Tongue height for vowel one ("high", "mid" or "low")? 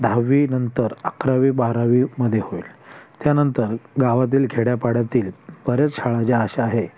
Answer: low